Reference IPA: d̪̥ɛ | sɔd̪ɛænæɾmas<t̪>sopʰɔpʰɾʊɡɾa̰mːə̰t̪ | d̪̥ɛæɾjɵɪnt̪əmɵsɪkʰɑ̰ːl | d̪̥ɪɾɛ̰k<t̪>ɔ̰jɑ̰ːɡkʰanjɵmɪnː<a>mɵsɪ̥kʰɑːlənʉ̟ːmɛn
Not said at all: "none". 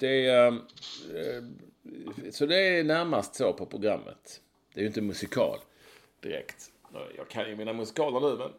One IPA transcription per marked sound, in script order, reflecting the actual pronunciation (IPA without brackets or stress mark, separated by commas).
t̪, t̪, a